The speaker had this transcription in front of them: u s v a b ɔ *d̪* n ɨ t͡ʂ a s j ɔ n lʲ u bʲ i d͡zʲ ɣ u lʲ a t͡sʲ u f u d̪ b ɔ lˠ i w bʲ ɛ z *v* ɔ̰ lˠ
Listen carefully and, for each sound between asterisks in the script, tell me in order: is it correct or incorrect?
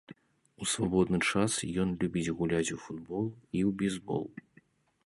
correct, incorrect

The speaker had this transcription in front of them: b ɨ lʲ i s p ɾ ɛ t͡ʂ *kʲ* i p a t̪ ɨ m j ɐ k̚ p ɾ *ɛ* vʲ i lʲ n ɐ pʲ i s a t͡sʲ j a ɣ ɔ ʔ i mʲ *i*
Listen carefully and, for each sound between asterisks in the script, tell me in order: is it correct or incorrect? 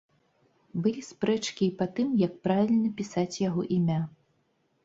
correct, incorrect, incorrect

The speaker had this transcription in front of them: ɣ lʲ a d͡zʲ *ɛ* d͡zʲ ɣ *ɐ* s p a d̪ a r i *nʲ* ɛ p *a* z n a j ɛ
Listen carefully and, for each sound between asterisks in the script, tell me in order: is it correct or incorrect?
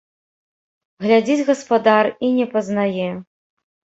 incorrect, correct, correct, incorrect

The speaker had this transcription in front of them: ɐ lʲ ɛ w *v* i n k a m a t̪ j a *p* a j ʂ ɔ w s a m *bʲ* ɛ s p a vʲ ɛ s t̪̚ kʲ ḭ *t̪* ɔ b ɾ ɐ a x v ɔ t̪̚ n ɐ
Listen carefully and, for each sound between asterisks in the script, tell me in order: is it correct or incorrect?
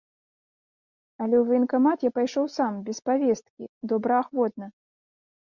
correct, correct, correct, incorrect

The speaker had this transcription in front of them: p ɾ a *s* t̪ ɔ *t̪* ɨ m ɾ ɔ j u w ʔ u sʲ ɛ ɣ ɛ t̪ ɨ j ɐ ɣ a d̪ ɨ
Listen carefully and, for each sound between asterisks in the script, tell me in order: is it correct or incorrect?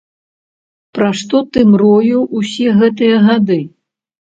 incorrect, correct

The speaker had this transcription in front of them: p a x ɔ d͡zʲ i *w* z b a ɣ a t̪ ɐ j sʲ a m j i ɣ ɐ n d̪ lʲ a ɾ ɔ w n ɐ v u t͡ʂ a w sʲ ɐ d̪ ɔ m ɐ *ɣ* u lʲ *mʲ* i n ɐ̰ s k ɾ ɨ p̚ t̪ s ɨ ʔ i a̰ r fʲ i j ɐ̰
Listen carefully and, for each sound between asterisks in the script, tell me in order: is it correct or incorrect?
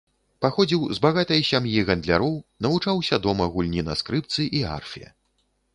correct, correct, incorrect

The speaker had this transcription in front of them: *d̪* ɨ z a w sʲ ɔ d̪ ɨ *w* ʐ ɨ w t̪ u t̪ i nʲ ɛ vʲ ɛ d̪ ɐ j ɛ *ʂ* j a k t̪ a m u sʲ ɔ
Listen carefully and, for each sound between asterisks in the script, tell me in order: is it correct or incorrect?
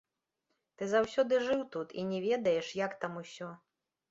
incorrect, incorrect, correct

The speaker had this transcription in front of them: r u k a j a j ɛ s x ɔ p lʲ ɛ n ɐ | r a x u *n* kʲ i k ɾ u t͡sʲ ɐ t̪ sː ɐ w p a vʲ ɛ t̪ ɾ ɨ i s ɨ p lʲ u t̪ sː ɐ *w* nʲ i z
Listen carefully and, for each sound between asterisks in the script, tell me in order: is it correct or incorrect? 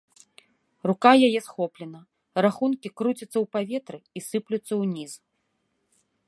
correct, correct

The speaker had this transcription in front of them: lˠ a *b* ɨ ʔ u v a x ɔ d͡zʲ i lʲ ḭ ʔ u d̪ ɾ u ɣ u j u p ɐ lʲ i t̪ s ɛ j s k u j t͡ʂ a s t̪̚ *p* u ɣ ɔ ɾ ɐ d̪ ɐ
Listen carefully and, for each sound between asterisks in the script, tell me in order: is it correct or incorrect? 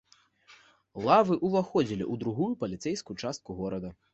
incorrect, incorrect

